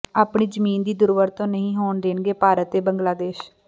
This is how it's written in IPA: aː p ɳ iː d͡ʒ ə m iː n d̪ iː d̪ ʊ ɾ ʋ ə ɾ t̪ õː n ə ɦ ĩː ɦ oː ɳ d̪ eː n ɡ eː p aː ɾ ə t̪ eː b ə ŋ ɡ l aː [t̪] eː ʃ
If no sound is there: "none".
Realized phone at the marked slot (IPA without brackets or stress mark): d̪